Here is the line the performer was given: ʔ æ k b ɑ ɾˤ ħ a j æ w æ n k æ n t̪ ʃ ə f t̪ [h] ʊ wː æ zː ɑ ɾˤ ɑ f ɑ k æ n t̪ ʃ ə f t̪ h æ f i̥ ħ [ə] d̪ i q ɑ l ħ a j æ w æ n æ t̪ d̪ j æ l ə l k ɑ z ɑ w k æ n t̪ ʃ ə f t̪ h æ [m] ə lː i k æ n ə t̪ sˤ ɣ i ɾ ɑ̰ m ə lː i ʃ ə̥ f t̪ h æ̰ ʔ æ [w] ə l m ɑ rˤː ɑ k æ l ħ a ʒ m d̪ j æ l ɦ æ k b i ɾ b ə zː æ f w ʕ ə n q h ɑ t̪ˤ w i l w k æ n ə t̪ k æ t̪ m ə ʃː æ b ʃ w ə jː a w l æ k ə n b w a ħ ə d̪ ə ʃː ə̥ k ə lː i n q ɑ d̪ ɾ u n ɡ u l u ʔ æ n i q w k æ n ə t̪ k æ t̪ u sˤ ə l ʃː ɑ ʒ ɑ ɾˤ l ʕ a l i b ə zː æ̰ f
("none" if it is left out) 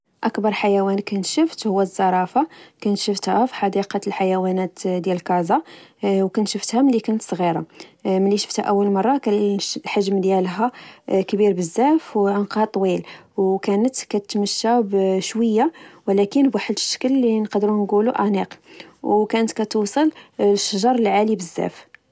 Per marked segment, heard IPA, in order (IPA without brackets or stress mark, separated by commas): h, ɑ, m, wː